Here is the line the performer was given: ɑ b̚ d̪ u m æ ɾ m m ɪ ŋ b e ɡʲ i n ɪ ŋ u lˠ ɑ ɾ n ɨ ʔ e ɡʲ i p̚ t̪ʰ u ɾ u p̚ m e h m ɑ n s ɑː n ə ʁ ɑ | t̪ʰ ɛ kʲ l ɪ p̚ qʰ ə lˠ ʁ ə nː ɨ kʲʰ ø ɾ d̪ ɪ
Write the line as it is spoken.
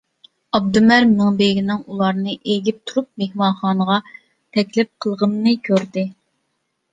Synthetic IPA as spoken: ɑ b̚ d̪ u m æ ɾ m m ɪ ŋ b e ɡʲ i n ɪ ŋ u lˠ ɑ ɾ n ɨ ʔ e ɡʲ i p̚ t̪ʰ u ɾ u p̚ m e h m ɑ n χ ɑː n ə ʁ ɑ | t̪ʰ ɛ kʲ l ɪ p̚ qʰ ə lˠ ʁ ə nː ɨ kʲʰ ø ɾ d̪ ɪ

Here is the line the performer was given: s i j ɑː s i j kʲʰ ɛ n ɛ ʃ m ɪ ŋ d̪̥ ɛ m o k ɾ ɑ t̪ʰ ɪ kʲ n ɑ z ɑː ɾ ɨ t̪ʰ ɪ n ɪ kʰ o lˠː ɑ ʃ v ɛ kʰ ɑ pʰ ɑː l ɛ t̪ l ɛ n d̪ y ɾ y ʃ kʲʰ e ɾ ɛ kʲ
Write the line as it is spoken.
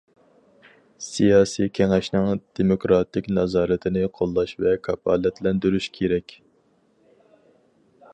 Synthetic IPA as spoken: s i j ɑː s i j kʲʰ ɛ ŋ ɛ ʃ n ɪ ŋ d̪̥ e m o k ɾ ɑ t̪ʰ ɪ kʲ n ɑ z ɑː ɾ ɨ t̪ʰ ɪ n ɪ qʰ o lˠː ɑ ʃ v ɛ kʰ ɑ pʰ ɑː l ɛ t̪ l ɛ n d̪ y ɾ y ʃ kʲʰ e ɾ ɛ kʲ

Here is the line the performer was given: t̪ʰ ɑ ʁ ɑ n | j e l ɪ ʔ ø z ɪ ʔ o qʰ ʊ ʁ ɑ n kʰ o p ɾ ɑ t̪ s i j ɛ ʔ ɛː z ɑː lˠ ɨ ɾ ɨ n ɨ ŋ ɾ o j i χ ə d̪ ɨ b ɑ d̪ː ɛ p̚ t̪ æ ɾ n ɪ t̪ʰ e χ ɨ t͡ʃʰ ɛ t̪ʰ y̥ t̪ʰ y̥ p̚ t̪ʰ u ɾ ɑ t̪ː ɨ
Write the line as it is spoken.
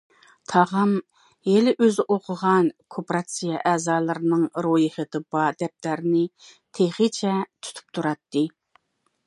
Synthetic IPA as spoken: t̪ʰ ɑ ʁ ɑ m | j e l ɪ ʔ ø z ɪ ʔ o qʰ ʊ ʁ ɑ n kʰ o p ɾ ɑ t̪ s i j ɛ ʔ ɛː z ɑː lˠ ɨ ɾ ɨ n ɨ ŋ ɾ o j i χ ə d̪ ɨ b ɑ d̪ ɛ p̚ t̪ æ ɾ n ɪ t̪ʰ e χ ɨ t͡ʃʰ ɛ t̪ʰ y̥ t̪ʰ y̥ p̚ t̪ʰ u ɾ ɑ t̪ː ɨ

